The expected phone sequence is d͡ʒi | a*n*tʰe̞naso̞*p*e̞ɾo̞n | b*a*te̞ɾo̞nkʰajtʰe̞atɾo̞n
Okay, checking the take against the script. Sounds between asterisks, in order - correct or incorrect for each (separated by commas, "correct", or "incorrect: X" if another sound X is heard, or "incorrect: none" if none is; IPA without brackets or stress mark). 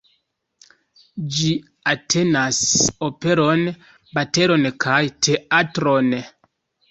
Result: incorrect: none, correct, correct